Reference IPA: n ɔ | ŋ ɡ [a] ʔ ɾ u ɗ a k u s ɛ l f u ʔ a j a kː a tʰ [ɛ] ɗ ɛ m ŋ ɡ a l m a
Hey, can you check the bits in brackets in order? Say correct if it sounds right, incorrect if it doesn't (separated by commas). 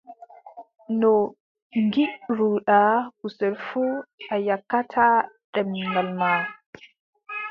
incorrect, incorrect